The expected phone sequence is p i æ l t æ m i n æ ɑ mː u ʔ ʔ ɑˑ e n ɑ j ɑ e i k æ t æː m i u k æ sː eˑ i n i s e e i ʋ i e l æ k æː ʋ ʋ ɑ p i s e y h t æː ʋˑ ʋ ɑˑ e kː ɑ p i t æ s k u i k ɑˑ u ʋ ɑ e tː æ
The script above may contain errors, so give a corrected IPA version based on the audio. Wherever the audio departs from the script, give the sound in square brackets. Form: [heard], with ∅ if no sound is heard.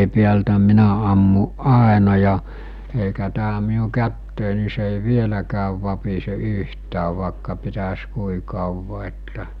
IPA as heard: p i æ l t æ m i n æ ɑ mː u ʔ ʔ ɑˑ e n ɑ j ɑ e i k æ t æː m i u k æ [tː] eˑ i n i s e e i ʋ i e l æ k æː ʋ ʋ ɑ p i s e y h t æː ʋˑ ʋ ɑˑ e kː ɑ p i t æ s k u i k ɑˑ u ʋ ɑ e tː æ